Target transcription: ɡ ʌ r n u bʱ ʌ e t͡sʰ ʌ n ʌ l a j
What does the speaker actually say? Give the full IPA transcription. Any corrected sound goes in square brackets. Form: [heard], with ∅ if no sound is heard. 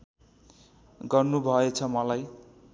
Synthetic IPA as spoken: ɡ ʌ r n u bʱ ʌ e t͡sʰ ʌ [m] ʌ l a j